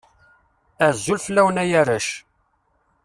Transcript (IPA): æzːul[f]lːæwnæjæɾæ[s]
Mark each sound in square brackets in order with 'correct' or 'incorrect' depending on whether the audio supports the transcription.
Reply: correct, incorrect: ʃ

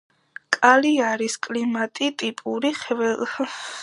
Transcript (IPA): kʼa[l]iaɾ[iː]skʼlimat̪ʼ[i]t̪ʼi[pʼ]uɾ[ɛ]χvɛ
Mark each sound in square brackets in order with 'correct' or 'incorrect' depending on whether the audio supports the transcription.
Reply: correct, incorrect: i, correct, correct, incorrect: i

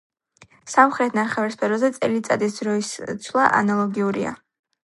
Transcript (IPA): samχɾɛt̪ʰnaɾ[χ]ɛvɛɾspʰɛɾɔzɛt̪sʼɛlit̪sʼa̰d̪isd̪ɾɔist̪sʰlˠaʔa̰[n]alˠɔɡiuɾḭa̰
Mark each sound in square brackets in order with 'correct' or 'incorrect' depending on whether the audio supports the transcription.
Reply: correct, correct

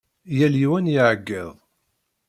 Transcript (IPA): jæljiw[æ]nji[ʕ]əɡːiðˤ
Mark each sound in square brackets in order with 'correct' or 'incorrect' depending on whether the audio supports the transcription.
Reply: correct, correct

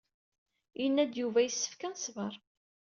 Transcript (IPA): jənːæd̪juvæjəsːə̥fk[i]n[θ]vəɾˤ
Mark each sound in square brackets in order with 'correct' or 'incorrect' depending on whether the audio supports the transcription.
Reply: incorrect: æ, incorrect: s

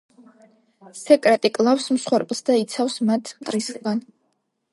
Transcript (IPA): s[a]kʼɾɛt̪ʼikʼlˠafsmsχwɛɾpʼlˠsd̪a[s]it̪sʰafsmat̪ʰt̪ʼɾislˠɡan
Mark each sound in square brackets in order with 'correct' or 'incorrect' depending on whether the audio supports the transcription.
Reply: incorrect: ɛ, incorrect: none

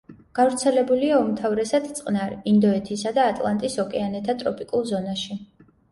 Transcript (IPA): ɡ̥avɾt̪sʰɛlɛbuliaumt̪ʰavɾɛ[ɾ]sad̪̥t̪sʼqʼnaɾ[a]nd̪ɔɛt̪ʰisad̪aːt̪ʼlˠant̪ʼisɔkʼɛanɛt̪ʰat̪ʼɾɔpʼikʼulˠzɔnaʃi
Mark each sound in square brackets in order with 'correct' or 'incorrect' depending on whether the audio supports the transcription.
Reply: incorrect: none, incorrect: i

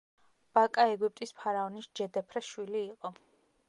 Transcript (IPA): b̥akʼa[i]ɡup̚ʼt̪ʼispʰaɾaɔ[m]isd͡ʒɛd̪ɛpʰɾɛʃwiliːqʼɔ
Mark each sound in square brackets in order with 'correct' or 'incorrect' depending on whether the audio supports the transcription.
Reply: incorrect: ɛ, incorrect: n

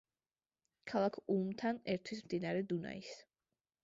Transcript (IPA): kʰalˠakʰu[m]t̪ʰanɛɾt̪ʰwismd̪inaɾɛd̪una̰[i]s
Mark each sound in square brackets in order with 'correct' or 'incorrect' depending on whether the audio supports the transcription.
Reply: correct, correct

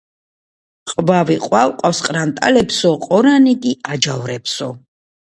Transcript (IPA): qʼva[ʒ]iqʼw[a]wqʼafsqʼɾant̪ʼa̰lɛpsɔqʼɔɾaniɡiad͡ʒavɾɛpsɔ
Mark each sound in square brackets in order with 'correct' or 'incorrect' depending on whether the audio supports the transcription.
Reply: incorrect: v, correct

